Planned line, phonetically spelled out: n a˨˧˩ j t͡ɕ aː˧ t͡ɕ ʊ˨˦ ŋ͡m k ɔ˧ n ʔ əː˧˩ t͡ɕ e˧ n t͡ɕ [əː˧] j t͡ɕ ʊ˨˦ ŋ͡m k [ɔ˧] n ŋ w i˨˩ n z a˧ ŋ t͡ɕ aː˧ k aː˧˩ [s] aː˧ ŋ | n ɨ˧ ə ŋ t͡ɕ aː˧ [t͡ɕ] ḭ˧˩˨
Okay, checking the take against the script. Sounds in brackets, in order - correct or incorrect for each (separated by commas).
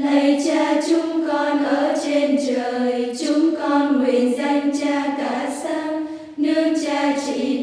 incorrect, correct, correct, correct